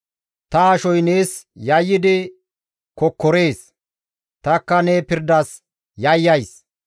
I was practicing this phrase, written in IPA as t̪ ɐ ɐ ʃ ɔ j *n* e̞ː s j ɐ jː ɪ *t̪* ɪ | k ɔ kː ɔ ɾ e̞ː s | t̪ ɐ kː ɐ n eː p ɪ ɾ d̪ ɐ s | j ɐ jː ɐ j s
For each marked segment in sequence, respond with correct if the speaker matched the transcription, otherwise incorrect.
correct, incorrect

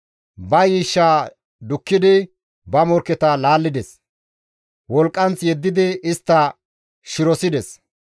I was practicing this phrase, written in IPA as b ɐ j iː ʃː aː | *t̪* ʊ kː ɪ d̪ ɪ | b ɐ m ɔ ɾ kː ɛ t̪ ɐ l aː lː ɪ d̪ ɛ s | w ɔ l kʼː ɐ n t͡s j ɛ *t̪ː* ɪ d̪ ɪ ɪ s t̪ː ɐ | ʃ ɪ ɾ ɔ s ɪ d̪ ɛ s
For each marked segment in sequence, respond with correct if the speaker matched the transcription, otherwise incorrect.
incorrect, incorrect

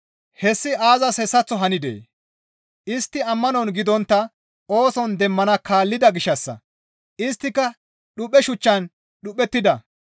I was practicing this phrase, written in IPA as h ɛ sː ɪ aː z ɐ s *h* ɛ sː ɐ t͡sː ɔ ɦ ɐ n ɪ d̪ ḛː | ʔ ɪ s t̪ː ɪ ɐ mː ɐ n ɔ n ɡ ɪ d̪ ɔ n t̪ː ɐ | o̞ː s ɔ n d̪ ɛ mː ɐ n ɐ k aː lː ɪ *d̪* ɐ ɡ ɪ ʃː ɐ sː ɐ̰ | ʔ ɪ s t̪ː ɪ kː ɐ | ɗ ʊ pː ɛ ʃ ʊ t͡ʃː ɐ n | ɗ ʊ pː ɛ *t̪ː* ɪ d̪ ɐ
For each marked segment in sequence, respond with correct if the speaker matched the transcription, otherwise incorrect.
correct, correct, correct

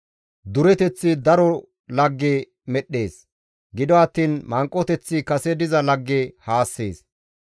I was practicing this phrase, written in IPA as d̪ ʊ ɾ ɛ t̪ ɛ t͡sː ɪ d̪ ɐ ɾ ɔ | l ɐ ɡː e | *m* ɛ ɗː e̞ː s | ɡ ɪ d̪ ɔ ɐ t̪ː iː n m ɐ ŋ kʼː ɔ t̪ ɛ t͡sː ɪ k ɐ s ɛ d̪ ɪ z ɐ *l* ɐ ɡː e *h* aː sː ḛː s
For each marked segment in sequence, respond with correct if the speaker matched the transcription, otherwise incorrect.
correct, correct, correct

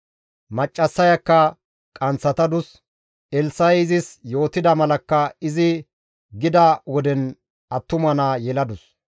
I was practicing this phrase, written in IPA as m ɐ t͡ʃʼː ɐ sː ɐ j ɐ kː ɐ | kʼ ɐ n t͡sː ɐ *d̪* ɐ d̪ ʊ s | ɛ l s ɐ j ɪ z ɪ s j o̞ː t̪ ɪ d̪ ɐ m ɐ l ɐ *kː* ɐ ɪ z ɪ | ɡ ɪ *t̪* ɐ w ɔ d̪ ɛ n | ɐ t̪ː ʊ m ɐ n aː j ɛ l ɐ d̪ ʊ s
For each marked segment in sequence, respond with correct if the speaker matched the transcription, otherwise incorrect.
incorrect, correct, incorrect

